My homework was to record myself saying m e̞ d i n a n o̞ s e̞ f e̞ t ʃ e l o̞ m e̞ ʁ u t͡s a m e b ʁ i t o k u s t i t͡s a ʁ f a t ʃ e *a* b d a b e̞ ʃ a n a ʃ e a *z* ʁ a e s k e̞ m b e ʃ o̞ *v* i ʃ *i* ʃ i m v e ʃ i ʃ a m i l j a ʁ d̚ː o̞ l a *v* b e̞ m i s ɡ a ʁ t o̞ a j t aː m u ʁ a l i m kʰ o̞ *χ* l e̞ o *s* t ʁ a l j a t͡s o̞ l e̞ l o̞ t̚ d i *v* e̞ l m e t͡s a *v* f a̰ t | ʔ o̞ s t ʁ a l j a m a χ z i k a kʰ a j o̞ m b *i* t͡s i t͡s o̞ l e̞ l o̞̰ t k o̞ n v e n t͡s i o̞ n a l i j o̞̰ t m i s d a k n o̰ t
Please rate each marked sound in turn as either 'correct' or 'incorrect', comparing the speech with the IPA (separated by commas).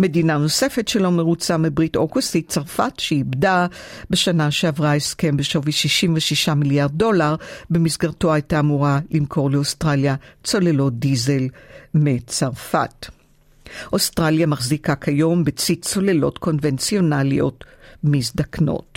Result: incorrect, incorrect, correct, correct, incorrect, incorrect, correct, incorrect, incorrect, incorrect